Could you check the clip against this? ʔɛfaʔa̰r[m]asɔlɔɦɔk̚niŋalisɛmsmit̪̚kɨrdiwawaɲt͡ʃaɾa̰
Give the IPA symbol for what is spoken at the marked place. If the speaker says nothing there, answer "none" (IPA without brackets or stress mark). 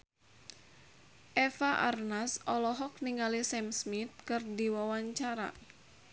n